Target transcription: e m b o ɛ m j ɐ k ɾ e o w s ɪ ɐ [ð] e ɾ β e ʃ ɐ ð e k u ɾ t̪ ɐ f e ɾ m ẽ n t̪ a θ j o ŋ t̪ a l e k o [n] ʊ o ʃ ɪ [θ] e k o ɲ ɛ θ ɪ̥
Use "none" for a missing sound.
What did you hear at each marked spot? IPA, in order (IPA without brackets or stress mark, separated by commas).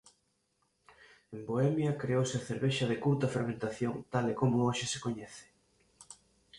θ, m, s